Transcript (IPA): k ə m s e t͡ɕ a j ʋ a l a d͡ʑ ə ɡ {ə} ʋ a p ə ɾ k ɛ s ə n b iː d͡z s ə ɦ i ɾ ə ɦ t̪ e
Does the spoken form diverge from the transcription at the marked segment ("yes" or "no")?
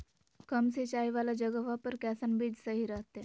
no